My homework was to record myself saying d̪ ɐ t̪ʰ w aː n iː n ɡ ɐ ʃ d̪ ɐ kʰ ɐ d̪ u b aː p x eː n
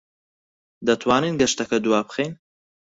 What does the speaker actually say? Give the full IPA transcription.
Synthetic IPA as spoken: d̪ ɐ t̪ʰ w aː n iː n ɡ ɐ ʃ t̪ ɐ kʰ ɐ d̪ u w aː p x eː n